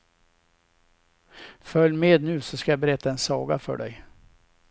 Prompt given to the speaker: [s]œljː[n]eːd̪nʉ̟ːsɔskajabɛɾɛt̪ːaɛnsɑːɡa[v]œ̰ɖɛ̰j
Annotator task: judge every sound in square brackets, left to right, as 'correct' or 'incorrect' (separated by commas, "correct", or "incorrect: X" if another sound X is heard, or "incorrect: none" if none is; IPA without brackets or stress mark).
incorrect: f, incorrect: m, incorrect: f